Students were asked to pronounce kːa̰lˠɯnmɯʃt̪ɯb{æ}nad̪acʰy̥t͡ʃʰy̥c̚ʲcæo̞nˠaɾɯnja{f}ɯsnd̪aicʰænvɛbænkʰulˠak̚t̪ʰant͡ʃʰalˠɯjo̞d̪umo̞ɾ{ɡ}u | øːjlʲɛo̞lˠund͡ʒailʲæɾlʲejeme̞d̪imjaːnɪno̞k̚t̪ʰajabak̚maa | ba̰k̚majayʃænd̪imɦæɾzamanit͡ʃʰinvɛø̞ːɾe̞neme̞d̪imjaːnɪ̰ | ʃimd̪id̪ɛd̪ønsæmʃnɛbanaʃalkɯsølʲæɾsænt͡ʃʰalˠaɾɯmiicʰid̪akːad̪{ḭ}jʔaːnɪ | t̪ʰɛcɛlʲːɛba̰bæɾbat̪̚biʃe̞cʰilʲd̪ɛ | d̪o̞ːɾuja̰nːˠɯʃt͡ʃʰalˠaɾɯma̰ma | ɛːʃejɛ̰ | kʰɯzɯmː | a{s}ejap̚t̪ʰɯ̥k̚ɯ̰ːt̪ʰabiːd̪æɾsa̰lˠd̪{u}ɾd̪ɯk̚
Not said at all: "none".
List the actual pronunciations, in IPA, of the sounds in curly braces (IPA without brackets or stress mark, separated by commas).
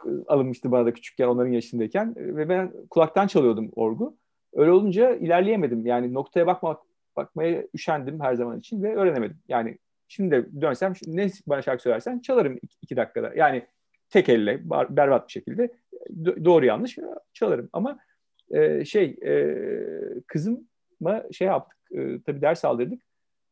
a, ʃ, ɡ, a̰, ʃ, ɯ